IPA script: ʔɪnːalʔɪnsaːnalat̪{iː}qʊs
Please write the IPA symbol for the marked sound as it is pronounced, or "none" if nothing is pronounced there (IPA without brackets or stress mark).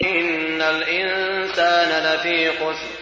iː